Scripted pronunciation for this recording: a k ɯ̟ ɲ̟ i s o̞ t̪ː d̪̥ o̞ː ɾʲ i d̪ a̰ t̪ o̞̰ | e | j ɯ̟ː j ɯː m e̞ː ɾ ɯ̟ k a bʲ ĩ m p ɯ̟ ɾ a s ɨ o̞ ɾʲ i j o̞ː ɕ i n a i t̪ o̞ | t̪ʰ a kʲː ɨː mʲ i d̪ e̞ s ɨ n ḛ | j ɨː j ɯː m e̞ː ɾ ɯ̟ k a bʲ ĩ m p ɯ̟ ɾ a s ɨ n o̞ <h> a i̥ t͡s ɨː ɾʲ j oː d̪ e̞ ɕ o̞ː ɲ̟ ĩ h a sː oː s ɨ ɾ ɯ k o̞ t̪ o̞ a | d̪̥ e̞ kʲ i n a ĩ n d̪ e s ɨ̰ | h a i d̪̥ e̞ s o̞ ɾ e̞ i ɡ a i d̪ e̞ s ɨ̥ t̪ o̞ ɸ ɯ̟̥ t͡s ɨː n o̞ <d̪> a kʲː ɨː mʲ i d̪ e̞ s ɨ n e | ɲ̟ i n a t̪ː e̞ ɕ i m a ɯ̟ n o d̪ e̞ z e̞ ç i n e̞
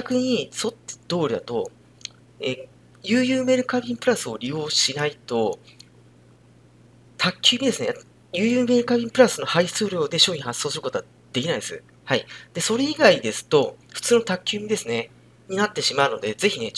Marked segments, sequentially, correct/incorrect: correct, incorrect: t̪

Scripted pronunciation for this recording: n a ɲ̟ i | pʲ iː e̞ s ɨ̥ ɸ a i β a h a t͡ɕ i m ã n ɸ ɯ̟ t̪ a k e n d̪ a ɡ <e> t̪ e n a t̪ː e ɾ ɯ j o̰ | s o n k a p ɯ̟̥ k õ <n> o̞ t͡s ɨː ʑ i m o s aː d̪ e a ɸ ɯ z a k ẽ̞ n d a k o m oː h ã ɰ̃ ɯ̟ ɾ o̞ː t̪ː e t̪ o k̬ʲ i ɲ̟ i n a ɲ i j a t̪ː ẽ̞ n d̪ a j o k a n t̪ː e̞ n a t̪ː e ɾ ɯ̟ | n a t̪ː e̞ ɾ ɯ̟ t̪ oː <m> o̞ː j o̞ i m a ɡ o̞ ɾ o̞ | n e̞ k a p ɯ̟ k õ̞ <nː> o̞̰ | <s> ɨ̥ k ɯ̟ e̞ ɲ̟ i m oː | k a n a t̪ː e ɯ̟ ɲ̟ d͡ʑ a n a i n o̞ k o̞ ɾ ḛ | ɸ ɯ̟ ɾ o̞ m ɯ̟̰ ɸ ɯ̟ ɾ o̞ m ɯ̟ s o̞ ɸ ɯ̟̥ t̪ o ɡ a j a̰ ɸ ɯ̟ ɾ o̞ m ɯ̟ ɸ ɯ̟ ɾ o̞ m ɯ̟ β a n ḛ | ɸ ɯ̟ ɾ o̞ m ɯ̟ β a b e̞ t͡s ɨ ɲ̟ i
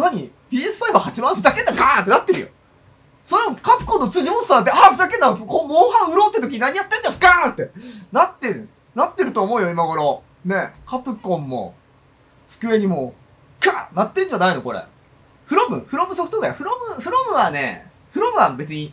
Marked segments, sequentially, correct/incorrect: incorrect: a, incorrect: nː, correct, incorrect: mː, correct

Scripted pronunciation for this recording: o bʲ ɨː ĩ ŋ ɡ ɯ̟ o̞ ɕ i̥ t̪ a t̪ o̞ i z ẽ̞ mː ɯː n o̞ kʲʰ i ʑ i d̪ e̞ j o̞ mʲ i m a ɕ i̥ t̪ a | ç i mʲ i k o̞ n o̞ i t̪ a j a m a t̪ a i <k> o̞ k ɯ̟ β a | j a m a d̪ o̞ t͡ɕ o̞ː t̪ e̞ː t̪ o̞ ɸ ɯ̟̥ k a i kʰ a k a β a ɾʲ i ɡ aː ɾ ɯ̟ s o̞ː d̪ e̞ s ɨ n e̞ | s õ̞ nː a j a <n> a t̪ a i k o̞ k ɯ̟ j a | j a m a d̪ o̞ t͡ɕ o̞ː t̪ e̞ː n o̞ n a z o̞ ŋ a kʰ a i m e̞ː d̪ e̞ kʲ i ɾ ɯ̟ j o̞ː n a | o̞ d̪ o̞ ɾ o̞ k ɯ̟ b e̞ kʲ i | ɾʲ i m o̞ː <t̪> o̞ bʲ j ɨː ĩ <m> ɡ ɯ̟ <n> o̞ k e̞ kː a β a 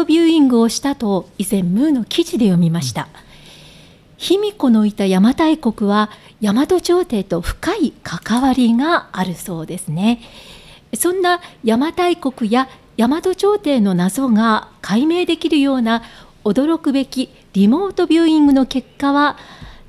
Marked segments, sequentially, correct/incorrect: correct, incorrect: m, correct, incorrect: ŋ, correct

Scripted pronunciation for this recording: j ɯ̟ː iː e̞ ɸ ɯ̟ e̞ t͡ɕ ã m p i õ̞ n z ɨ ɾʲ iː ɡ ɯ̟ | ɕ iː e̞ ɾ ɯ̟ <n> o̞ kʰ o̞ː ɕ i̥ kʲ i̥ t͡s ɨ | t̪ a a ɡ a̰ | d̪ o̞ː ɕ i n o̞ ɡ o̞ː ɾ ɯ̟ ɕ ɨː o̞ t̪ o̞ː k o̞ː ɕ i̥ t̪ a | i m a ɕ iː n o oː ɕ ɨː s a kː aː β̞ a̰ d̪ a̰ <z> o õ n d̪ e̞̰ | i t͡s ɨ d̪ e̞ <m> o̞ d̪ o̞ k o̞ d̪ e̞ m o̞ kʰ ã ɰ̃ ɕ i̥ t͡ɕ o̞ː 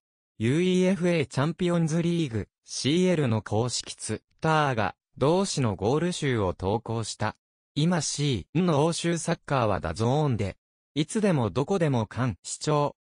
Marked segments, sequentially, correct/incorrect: correct, correct, correct

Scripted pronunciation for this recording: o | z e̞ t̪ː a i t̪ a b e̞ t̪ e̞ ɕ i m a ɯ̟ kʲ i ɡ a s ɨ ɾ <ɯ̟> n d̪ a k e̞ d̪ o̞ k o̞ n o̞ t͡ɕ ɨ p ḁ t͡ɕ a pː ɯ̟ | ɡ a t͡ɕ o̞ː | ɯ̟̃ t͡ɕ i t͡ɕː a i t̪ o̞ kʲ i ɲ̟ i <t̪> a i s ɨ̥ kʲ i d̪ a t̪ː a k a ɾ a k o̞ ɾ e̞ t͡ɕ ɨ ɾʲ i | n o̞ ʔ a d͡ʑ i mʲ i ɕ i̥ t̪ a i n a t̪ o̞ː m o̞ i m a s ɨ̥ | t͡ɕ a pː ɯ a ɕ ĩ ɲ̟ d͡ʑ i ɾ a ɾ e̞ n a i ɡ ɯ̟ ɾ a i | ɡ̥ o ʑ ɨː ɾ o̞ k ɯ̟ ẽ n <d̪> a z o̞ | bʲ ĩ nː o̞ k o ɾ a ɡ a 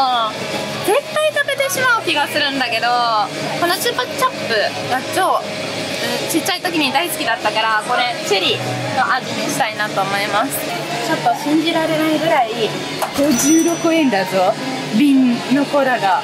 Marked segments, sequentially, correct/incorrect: incorrect: ɯ̟̃, incorrect: d̪, correct

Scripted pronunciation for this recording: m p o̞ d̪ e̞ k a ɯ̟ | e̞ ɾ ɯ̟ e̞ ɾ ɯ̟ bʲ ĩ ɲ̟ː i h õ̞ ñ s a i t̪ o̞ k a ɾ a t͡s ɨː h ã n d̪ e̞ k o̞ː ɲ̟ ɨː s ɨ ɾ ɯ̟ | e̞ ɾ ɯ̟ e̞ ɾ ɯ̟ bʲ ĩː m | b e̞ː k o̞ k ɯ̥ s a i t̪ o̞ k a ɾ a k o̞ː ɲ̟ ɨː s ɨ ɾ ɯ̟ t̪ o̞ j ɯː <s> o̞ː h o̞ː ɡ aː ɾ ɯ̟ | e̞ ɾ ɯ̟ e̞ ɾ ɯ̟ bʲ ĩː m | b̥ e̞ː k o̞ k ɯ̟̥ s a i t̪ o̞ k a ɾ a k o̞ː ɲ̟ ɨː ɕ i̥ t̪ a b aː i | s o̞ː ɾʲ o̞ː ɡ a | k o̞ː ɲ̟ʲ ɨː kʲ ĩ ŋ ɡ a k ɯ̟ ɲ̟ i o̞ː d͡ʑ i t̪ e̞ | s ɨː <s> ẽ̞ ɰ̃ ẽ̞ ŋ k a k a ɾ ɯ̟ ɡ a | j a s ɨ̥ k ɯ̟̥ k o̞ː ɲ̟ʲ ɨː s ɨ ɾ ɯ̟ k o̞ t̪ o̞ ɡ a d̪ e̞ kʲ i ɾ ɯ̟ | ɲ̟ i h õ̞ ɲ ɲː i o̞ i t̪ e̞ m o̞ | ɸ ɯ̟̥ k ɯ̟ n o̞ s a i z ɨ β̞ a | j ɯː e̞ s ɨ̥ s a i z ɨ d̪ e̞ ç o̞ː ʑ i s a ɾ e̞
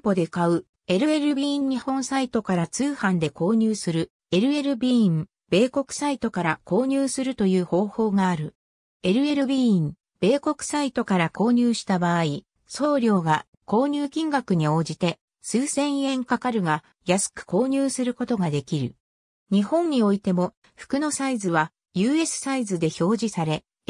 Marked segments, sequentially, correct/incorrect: incorrect: h, correct

